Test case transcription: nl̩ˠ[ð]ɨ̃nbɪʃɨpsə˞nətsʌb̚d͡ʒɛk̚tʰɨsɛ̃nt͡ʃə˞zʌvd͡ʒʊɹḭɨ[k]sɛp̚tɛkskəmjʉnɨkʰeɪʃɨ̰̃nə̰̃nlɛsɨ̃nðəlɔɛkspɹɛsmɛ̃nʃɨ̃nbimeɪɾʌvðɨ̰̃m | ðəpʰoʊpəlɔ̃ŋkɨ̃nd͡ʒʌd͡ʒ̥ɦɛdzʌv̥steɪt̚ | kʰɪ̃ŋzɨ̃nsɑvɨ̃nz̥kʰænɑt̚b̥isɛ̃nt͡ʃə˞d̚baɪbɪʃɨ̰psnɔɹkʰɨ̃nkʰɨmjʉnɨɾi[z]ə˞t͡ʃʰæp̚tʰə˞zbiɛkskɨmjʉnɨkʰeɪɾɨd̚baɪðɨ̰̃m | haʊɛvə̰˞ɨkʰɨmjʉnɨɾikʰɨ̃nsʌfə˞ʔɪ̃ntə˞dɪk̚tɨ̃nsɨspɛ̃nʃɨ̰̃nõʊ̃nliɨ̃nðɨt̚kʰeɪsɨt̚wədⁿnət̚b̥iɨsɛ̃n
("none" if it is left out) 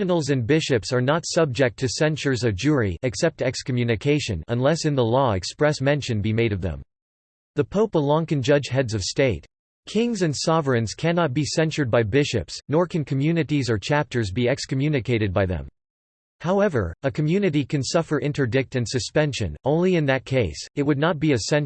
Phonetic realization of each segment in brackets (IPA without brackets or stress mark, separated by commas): z, k, z